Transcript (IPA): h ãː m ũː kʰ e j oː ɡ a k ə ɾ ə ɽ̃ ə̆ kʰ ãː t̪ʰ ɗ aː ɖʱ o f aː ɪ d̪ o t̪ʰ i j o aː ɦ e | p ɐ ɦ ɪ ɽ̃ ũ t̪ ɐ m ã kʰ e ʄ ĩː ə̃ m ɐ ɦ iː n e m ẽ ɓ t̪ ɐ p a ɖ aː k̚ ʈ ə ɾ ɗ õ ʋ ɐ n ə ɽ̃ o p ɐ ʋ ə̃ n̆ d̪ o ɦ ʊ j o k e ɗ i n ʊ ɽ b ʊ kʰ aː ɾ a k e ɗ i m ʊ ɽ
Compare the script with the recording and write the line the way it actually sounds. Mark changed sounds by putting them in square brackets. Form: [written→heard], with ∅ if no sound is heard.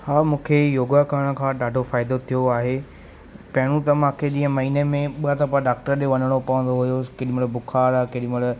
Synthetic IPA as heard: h [ãː→aː] m ũː kʰ e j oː ɡ a k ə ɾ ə ɽ̃ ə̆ kʰ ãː [t̪ʰ→∅] ɗ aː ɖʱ o f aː ɪ d̪ o t̪ʰ i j o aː ɦ e | p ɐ ɦ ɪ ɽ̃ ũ t̪ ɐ m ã kʰ e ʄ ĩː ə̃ m ɐ ɦ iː n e m ẽ ɓ t̪ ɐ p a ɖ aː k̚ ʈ ə ɾ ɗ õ ʋ ɐ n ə ɽ̃ o p ɐ ʋ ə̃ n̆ d̪ o ɦ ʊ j o k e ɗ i [n→m] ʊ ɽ b ʊ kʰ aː ɾ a k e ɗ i m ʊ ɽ

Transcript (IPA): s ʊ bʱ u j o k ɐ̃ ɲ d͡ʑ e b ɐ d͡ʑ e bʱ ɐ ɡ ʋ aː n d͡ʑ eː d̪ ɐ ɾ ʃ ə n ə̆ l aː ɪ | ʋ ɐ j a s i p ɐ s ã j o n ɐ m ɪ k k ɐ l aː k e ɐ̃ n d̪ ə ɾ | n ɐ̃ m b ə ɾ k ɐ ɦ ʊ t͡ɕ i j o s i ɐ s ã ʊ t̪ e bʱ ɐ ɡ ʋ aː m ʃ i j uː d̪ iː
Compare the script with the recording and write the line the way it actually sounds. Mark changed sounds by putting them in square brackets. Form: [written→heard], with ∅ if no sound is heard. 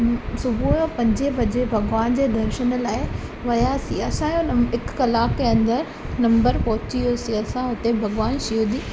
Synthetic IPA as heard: s ʊ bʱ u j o [k→p] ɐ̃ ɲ d͡ʑ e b ɐ d͡ʑ e bʱ ɐ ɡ ʋ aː n d͡ʑ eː d̪ ɐ ɾ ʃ ə n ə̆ l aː ɪ | ʋ ɐ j a s i [p→∅] ɐ s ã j o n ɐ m ɪ k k ɐ l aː k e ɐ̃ n d̪ ə ɾ | n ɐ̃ m b ə ɾ [k→p] ɐ ɦ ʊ t͡ɕ i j o s i ɐ s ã ʊ t̪ e bʱ ɐ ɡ ʋ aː [m→n] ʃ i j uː d̪ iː

